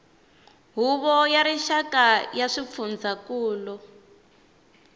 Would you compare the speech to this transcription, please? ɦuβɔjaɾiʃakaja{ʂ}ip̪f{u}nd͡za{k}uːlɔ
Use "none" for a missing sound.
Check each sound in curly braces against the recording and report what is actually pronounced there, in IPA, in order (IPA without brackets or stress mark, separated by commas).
ʂ, u, k